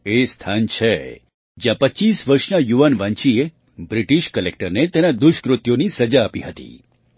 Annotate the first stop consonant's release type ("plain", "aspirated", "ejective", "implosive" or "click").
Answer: aspirated